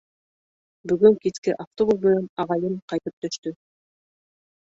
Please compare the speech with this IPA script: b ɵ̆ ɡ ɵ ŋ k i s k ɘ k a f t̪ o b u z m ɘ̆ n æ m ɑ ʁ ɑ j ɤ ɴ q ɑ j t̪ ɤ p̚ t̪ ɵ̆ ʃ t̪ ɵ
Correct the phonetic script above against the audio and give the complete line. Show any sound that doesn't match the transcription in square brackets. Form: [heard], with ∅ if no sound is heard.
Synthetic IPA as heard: b ɵ̆ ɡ ɵ ŋ k i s k ɘ [ʔ] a f t̪ o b u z m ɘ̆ n æ [n] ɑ ʁ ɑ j ɤ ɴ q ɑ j t̪ ɤ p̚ t̪ ɵ̆ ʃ t̪ ɵ